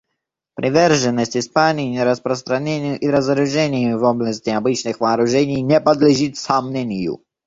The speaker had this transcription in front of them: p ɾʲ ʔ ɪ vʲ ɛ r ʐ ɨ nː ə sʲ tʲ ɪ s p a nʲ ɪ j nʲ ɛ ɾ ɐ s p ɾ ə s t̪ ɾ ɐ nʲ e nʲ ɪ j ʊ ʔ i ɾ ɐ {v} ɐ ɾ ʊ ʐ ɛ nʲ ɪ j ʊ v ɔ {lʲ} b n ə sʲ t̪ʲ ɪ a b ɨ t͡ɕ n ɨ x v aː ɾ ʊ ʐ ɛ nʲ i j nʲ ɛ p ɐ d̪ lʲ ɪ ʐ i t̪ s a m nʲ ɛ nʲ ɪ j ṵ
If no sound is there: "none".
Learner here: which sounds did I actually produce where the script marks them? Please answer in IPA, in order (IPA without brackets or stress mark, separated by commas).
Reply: z, none